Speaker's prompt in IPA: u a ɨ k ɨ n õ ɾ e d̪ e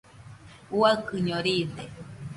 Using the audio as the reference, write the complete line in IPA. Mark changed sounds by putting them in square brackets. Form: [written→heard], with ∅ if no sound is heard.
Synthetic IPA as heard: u a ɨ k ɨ [n→ɲ] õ ɾ [e→i] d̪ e